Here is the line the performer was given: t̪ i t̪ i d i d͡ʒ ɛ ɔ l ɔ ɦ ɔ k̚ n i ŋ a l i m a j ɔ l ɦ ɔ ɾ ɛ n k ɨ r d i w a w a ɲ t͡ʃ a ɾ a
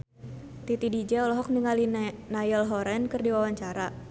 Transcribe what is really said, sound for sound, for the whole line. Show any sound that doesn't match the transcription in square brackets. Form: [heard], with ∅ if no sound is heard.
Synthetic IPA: t̪ i t̪ i d i d͡ʒ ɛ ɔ l ɔ ɦ ɔ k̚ n i ŋ a l i [n] a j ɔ l ɦ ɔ ɾ ɛ n k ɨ r d i w a w a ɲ t͡ʃ a ɾ a

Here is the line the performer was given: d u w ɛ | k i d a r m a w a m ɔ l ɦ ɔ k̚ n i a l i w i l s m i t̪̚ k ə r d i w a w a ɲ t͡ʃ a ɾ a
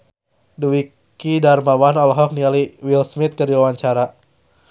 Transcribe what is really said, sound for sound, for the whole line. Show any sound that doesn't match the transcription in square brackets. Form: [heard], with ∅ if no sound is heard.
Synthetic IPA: d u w [i] | k i d a r m a w a [n] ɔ l ɦ ɔ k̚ n i a l i w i l s m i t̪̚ k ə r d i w a w a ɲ t͡ʃ a ɾ a

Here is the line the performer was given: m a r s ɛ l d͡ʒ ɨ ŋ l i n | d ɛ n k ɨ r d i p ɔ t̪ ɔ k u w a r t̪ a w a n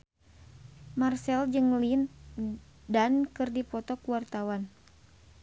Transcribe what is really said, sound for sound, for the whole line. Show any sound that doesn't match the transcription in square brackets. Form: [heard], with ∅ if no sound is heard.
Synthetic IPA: m a r s ɛ l d͡ʒ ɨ ŋ l i n | d [a] n k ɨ r d i p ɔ t̪ ɔ k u w a r t̪ a w a n

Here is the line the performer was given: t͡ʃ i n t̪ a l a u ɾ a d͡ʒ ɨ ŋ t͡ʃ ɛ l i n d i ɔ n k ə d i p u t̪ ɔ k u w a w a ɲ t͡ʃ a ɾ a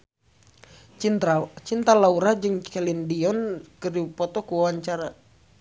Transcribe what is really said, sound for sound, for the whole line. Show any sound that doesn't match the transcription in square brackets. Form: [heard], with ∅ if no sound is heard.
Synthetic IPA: t͡ʃ i n t̪ a l a u ɾ a d͡ʒ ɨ ŋ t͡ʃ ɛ l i n d i ɔ n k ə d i p [ɔ] t̪ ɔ k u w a w a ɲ t͡ʃ a ɾ a

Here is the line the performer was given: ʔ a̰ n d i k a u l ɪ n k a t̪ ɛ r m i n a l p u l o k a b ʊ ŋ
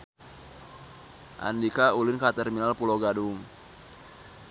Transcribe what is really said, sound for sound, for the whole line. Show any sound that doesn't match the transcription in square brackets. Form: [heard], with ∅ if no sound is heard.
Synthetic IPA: ʔ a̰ n d i k a u l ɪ n k a t̪ ɛ r m i n a l p u l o [ɡ] a [d] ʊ ŋ

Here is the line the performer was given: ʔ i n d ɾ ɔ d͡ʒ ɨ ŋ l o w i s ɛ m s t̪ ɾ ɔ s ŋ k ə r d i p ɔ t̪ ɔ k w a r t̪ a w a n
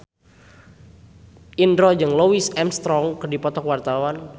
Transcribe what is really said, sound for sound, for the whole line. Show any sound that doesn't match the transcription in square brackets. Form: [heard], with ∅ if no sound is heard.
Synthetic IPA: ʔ i n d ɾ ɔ d͡ʒ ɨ ŋ l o w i s ɛ m s t̪ ɾ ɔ [∅] ŋ k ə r d i p ɔ t̪ ɔ k w a r t̪ a w a n

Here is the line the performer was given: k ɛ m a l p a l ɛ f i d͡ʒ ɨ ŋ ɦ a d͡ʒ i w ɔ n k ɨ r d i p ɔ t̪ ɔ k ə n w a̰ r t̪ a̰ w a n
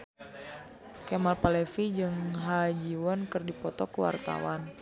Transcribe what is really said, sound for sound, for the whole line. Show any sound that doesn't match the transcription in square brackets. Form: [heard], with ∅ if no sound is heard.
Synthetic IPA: k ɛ m a l p a l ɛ f i d͡ʒ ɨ ŋ ɦ a d͡ʒ i w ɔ n k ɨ r d i p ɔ t̪ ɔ k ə [∅] w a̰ r t̪ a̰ w a n

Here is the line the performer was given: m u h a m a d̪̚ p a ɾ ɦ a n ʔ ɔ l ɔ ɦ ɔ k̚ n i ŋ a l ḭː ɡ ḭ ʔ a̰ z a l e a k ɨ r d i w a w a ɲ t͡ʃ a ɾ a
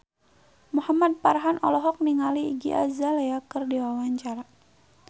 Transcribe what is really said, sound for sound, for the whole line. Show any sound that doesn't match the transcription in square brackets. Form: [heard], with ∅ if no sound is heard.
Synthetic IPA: m u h a m a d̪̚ p a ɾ ɦ a n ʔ ɔ l ɔ ɦ ɔ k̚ n i ŋ a l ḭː ɡ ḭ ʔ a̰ z a l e a k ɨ r d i w a w a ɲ t͡ʃ a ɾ a

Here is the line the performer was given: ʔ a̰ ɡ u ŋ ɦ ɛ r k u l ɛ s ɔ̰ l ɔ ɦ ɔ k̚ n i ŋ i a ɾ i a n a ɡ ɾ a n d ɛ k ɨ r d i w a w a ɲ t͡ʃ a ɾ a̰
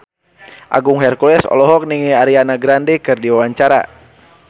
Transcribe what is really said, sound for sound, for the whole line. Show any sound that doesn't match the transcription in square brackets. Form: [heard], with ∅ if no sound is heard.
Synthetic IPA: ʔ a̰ ɡ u ŋ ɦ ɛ r k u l ɛ s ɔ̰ l ɔ ɦ ɔ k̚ n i ŋ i a ɾ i a n a ɡ ɾ a n d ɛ k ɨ r d i w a w a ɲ t͡ʃ a ɾ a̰

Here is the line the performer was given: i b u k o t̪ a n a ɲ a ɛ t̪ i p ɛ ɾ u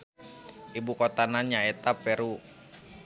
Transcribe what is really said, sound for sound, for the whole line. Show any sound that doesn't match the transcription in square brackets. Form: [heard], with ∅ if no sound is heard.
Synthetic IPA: i b u k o t̪ a n a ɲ a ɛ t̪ [a] p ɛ ɾ u

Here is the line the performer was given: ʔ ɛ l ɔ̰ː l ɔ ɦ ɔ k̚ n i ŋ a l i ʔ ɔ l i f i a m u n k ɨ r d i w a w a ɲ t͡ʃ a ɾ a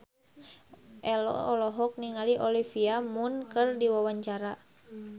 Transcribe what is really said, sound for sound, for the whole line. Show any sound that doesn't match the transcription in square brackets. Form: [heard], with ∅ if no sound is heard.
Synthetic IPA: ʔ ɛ l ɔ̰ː l ɔ ɦ ɔ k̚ n i ŋ a l i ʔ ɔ l i f i a m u n k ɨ r d i w a w a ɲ t͡ʃ a ɾ a

